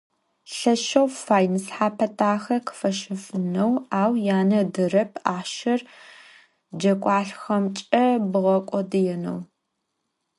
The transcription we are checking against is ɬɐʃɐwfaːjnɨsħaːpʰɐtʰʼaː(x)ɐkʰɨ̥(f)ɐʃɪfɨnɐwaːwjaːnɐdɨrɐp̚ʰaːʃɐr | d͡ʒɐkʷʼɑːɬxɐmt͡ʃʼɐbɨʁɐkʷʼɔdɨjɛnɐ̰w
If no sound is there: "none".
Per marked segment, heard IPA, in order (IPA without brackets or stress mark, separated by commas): x, f